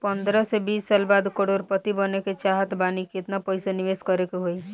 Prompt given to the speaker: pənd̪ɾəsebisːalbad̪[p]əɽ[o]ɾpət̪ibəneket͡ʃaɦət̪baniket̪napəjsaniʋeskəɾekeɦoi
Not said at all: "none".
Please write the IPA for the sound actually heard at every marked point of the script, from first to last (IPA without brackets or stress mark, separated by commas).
k, o